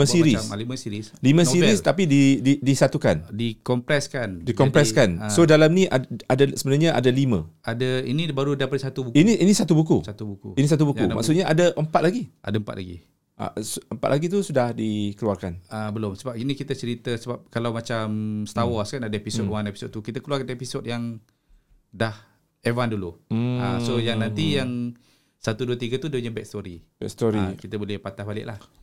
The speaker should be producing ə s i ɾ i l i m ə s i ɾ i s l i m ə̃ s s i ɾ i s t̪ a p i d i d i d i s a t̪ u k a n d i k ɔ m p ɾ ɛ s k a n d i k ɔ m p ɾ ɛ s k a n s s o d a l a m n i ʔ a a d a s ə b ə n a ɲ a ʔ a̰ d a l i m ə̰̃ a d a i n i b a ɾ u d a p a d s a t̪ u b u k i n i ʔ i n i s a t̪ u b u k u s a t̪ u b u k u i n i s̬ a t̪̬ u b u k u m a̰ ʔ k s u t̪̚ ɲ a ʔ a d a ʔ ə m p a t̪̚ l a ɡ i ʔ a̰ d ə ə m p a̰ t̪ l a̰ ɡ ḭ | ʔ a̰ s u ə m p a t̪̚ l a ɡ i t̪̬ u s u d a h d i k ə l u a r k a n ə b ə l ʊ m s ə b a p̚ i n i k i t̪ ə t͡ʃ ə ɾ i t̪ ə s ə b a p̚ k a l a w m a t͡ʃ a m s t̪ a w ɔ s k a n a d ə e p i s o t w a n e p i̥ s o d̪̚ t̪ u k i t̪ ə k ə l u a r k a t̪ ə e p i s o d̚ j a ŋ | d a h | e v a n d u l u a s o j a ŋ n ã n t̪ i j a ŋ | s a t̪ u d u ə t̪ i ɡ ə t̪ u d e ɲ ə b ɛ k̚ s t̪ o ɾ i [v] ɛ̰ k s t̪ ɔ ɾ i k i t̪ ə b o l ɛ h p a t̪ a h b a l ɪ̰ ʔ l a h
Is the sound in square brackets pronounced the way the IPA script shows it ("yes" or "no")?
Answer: no